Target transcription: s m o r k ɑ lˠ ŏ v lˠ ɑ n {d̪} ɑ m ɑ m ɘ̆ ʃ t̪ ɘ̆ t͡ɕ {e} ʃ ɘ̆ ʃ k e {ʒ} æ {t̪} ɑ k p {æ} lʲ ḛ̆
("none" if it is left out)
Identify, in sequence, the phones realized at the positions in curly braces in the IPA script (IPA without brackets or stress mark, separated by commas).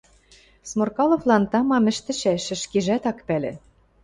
t̪, æ, ʒ, t̪, æ